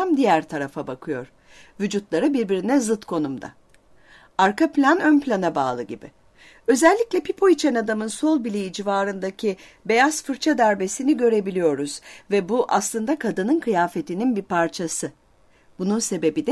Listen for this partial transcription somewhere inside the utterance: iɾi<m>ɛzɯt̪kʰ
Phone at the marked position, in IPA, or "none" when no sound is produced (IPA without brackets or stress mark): n